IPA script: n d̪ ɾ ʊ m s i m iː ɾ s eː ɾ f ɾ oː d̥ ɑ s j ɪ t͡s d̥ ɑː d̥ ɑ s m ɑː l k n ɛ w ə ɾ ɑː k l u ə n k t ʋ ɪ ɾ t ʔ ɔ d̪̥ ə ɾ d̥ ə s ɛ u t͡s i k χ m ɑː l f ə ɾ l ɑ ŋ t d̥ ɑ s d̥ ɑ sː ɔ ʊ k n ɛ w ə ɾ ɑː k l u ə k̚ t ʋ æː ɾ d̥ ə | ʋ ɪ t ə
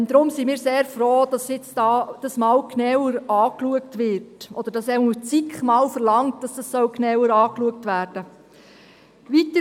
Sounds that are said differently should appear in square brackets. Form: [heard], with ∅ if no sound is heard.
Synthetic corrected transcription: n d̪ ɾ ʊ m s i m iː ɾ s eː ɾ f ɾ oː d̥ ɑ s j ɪ t͡s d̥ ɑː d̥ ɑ s m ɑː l k n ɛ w ə ɾ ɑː k l u ə [∅] k t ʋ ɪ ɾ t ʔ ɔ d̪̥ ə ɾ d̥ [ɑ] s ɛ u t͡s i k χ m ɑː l f ə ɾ l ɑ ŋ t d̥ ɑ s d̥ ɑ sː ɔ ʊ k n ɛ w ə ɾ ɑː k l u ə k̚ t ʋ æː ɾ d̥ ə | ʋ [i] t ə